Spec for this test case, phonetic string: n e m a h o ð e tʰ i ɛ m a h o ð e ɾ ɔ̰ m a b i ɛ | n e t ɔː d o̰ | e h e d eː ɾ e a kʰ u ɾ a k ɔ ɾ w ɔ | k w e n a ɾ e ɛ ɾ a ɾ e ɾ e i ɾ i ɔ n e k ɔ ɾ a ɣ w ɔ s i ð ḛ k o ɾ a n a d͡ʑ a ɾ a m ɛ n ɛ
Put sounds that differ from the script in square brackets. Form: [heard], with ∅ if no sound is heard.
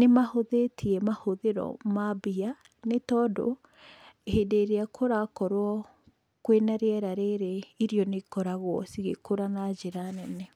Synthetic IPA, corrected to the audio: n e m a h o ð e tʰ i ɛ m a h o ð e ɾ ɔ̰ m a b i [a] | n e t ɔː d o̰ | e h e d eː ɾ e a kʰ [o] ɾ a k ɔ ɾ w ɔ | k w e n a ɾ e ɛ ɾ a ɾ e ɾ e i ɾ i ɔ n e k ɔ ɾ a ɣ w ɔ s i [ɣ] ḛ k o ɾ a n a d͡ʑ [e] ɾ a [n] ɛ n ɛ